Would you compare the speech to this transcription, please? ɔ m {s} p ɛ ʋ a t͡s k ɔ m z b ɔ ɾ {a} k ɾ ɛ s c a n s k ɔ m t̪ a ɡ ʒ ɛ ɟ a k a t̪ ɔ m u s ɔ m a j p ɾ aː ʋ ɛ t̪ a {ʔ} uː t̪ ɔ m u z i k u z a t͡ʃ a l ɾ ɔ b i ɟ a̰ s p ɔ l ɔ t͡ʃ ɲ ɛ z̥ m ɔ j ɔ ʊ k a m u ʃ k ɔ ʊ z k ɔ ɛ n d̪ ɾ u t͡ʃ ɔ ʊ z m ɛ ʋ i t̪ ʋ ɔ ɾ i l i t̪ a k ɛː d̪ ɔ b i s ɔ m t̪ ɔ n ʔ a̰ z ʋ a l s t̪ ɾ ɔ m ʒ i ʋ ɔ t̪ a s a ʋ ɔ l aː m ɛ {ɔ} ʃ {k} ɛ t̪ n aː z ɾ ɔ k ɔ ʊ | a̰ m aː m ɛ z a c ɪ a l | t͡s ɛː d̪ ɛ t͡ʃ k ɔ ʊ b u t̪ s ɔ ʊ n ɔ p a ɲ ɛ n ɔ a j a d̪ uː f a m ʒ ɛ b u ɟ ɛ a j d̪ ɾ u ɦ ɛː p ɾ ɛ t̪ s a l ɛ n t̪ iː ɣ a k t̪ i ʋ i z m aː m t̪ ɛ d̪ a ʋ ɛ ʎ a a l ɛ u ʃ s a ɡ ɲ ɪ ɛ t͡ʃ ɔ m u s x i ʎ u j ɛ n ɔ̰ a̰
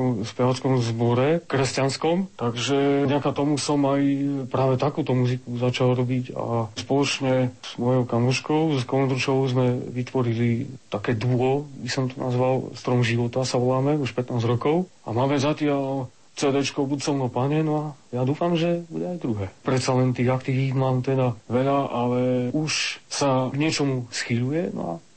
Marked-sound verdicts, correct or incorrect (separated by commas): correct, incorrect, incorrect, incorrect, incorrect